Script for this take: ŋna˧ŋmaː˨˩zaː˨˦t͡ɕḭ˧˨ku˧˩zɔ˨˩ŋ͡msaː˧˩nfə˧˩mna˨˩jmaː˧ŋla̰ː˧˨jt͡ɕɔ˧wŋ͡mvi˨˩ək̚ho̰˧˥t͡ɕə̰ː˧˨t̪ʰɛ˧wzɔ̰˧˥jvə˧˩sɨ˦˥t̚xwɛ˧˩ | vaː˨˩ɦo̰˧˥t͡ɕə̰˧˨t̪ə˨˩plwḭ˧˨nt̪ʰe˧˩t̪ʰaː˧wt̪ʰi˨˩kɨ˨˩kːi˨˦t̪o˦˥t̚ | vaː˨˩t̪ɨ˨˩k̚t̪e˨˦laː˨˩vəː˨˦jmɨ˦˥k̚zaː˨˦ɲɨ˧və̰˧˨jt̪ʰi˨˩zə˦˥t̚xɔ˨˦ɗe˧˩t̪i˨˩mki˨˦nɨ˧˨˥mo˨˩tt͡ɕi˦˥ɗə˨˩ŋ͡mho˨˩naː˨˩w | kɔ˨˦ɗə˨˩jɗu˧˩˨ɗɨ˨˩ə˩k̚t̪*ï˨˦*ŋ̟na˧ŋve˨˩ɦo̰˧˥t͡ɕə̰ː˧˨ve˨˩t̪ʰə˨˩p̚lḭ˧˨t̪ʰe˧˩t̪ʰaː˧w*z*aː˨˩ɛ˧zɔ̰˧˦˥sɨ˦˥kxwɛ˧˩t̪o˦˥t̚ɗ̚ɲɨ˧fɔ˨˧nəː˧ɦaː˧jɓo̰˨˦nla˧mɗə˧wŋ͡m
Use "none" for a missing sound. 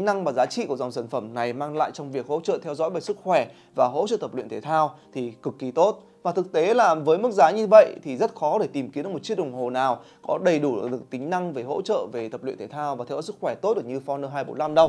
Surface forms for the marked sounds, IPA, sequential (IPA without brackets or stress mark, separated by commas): ï˨˦, v